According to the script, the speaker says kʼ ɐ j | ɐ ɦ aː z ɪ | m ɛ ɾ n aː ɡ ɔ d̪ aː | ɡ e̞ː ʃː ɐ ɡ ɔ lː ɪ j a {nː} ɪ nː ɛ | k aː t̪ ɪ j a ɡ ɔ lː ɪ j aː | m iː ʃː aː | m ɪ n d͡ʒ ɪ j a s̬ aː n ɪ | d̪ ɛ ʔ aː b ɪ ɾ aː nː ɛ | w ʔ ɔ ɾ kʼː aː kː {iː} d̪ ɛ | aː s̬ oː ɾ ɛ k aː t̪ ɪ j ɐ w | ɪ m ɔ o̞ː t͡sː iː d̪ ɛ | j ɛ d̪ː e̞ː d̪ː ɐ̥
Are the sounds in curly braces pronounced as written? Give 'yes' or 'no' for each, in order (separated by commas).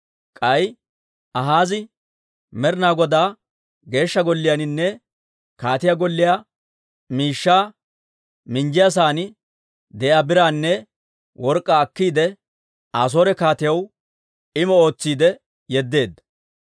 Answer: no, yes